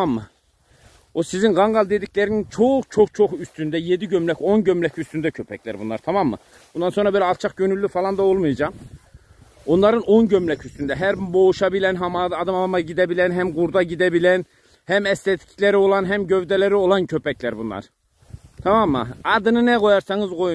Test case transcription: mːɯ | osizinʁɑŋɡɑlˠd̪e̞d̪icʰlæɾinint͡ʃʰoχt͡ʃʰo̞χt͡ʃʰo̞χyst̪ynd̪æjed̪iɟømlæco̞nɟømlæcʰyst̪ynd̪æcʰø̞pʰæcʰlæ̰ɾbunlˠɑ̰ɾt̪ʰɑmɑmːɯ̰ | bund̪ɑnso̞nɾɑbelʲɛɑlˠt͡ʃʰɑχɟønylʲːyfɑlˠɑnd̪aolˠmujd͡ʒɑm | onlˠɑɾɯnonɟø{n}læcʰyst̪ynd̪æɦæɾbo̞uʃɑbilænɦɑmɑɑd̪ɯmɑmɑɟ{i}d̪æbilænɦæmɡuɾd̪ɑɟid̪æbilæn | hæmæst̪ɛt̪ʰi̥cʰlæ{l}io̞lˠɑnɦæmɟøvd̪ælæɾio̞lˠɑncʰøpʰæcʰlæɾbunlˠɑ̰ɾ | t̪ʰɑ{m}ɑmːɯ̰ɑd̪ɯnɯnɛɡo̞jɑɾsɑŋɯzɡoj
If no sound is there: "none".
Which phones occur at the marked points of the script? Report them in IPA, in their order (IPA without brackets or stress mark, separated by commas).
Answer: m, i, ɾ, m